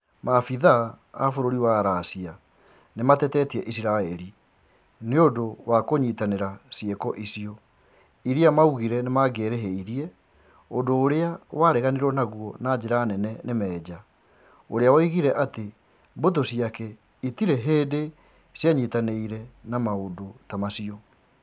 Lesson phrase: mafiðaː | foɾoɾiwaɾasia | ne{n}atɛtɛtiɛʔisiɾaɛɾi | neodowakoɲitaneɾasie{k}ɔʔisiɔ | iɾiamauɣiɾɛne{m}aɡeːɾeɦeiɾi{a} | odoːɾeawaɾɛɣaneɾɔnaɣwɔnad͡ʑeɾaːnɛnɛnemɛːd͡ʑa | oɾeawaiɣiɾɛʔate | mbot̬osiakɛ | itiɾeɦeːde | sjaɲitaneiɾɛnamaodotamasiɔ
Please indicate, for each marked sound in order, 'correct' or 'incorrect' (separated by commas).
incorrect, correct, correct, incorrect